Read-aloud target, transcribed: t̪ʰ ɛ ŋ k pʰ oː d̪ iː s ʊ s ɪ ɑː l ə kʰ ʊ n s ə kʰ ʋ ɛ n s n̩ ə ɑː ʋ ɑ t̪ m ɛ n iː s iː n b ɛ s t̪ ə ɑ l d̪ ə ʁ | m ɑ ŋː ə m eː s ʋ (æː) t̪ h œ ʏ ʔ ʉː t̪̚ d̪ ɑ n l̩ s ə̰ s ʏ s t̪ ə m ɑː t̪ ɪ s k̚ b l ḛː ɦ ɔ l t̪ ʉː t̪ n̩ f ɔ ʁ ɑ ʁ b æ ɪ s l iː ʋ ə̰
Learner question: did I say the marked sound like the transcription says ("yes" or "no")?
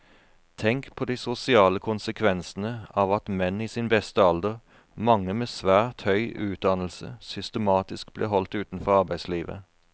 yes